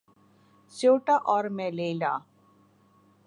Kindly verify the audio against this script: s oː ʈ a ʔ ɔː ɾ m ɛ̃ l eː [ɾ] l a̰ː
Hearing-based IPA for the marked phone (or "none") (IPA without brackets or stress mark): none